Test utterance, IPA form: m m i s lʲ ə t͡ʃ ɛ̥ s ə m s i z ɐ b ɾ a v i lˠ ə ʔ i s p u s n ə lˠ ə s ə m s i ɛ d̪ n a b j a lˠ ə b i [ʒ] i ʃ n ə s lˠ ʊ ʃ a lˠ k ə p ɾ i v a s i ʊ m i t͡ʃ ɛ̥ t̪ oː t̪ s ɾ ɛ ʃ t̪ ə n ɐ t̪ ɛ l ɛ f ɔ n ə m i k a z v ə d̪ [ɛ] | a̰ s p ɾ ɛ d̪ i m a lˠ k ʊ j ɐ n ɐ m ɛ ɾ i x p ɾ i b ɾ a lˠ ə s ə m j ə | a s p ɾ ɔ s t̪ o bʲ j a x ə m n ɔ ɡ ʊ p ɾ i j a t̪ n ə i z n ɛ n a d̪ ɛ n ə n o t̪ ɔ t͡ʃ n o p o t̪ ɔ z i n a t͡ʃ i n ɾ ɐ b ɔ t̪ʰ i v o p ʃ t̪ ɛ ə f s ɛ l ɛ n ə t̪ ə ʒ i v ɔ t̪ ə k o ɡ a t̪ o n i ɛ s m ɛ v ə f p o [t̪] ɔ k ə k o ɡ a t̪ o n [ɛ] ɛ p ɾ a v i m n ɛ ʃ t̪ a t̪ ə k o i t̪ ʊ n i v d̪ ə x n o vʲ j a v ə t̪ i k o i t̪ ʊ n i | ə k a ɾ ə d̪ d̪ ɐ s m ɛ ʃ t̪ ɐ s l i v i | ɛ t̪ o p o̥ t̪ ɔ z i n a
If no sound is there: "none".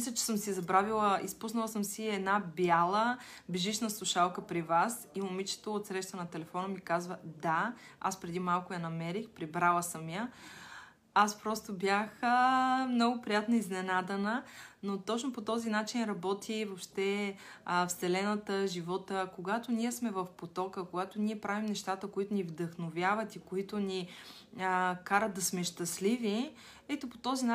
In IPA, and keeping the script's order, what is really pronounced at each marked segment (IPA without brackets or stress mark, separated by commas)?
ʒ, a, t̪, i